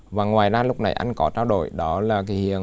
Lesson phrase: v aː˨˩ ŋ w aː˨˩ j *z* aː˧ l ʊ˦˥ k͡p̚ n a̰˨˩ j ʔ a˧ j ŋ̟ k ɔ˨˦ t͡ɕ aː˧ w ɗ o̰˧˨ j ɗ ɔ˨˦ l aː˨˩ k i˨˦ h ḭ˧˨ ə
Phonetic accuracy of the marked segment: correct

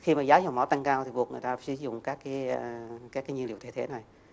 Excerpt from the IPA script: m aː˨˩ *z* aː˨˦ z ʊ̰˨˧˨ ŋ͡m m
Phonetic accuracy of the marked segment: correct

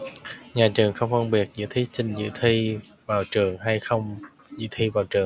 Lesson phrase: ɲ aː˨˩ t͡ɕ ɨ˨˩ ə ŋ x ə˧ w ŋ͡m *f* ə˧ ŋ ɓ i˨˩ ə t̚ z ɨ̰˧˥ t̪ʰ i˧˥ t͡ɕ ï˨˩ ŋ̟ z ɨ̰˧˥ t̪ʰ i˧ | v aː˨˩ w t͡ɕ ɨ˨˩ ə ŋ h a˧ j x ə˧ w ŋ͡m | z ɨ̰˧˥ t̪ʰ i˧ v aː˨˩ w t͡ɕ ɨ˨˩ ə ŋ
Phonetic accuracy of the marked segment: correct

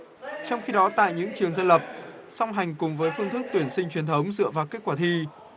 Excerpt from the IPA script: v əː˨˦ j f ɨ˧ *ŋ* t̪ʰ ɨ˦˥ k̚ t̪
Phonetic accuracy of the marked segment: incorrect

